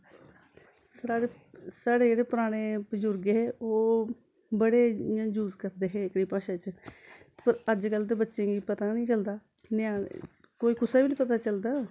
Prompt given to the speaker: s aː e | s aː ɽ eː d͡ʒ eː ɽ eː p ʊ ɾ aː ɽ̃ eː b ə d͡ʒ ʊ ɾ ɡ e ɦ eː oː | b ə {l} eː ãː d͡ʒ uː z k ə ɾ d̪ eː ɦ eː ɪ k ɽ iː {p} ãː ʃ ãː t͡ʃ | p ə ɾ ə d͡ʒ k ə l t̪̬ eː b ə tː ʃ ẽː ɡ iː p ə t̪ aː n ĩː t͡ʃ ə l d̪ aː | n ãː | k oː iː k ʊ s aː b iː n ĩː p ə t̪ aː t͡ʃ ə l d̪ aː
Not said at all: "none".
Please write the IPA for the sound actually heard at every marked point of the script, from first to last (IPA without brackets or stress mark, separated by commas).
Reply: ɽ, p